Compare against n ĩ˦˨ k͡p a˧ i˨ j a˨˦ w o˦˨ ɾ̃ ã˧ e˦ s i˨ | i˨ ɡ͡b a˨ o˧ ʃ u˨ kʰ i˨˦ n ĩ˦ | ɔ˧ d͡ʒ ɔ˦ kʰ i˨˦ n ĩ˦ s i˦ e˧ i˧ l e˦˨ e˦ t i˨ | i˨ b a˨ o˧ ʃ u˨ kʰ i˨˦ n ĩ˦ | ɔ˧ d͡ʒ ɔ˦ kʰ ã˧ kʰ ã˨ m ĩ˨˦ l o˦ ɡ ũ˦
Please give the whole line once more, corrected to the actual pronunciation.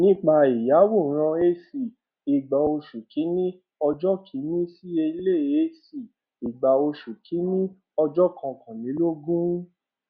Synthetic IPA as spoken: n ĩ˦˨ k͡p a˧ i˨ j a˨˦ w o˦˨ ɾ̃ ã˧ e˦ s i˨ | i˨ ɡ͡b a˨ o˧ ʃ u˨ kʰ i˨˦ n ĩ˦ | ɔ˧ d͡ʒ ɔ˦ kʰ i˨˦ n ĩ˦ s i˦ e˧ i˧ l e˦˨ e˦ s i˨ | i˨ ɡ͡b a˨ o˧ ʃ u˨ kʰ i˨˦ n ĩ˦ | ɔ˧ d͡ʒ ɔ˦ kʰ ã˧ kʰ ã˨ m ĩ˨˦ l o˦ ɡ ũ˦

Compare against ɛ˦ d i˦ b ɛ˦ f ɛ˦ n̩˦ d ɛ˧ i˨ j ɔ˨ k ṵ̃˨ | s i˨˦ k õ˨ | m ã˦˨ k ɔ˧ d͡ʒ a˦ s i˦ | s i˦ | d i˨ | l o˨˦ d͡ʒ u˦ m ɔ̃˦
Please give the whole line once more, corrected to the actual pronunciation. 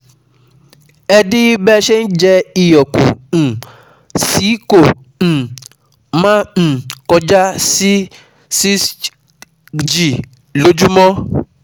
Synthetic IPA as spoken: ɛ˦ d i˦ b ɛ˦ ʃ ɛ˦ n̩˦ d͡ʒ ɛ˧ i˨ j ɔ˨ k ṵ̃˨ | s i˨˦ k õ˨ | m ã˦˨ k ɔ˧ d͡ʒ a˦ s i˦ | s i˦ | d͡ʒ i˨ | l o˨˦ d͡ʒ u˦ m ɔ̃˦

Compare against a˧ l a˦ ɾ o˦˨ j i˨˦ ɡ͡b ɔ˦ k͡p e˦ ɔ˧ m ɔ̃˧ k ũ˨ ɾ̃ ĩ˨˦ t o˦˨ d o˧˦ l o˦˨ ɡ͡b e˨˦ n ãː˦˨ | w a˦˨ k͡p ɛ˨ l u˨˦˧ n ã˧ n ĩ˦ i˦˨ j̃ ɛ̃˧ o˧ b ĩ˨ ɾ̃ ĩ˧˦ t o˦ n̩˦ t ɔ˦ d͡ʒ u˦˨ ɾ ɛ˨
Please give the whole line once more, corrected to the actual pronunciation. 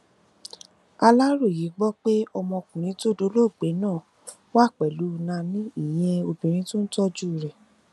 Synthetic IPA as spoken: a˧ l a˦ ɾ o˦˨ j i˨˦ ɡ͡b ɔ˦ k͡p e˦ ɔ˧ m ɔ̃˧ k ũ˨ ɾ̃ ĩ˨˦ t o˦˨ d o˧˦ l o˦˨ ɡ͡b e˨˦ n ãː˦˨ | w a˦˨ k͡p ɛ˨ l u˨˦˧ n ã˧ n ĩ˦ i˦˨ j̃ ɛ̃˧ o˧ b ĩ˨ ɾ̃ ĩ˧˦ t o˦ n̩˦ t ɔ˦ d͡ʒ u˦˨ ɾ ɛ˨

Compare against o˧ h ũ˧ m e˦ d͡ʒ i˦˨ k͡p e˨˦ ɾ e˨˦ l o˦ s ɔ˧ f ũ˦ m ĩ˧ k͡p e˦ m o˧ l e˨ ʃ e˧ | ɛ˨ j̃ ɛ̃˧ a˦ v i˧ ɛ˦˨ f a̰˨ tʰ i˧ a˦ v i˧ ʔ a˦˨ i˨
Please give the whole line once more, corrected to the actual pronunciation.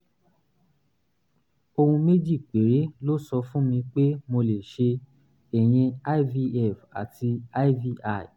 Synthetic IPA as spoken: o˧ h ũ˧ m e˦ d͡ʒ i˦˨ k͡p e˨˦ ɾ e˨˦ l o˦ s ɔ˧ f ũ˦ m ĩ˧ k͡p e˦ m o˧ l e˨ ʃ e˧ | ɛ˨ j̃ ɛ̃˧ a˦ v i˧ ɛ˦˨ f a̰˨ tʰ i˧ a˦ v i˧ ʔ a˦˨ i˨

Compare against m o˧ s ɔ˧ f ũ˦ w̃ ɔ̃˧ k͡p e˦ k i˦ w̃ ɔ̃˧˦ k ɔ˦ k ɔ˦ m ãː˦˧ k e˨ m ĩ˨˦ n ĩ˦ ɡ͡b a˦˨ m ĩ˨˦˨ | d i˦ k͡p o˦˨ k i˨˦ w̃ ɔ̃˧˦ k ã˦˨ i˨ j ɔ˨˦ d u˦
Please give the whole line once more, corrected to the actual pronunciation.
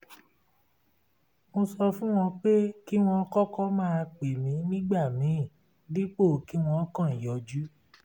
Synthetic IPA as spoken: m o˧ s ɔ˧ f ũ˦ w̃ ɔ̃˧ k͡p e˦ k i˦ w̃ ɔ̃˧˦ k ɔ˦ k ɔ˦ m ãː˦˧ k͡p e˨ m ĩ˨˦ n ĩ˦ ɡ͡b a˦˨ m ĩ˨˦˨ | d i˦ k͡p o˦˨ k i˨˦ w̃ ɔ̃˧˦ k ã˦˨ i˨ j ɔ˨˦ d͡ʒ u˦

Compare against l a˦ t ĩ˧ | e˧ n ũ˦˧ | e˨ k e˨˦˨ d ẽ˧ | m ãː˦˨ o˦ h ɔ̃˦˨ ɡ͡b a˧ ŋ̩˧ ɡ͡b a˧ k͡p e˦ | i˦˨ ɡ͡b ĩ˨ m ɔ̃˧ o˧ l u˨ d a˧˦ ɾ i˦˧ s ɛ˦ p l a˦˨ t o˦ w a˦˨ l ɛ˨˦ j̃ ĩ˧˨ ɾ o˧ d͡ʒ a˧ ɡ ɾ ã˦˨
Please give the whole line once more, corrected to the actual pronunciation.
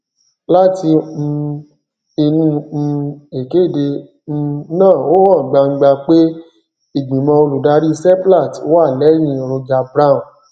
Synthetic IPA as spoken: l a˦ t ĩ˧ | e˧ n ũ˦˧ | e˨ k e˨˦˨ d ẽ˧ | n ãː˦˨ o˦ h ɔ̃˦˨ ɡ͡b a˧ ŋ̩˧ ɡ͡b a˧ k͡p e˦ | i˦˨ ɡ͡b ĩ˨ m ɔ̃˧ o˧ l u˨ d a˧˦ ɾ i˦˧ s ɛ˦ p l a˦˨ t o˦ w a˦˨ l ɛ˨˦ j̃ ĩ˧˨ ɾ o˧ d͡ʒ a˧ b ɾ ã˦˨

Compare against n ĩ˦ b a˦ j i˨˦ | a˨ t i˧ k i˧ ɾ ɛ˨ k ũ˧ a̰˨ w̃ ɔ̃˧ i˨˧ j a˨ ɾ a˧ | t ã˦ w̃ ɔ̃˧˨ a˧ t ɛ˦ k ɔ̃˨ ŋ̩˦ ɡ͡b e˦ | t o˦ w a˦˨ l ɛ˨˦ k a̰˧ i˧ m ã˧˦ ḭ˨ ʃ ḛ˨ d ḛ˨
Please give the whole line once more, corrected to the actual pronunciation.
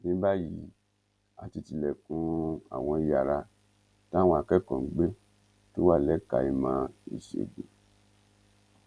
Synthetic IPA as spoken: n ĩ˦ b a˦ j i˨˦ | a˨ t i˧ t i˧ l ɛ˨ k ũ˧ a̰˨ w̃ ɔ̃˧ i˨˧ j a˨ ɾ a˧ | t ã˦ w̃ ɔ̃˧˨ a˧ k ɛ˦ k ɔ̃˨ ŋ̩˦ ɡ͡b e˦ | t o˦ w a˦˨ l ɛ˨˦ k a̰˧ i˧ m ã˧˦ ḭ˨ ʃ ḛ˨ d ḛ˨

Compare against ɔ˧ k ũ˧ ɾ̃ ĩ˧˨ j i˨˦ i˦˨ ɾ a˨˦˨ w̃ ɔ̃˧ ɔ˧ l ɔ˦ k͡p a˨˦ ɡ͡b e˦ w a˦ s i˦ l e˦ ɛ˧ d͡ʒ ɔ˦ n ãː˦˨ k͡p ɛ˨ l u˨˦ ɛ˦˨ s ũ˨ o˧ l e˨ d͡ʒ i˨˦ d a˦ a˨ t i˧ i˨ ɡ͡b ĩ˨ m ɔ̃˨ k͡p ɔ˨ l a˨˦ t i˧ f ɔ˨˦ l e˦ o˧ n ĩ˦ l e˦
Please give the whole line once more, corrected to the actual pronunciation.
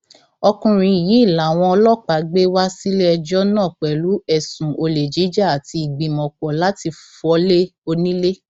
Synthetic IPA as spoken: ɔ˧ k ũ˧ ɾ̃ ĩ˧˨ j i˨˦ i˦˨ l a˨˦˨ w̃ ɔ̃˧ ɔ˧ l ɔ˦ k͡p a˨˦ ɡ͡b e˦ w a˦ s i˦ l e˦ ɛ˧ d͡ʒ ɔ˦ n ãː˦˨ k͡p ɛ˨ l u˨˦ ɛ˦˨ s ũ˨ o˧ l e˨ d͡ʒ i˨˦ d͡ʒ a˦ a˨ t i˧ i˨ ɡ͡b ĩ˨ m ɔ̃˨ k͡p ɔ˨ l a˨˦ t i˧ f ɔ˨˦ l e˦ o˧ n ĩ˦ l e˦

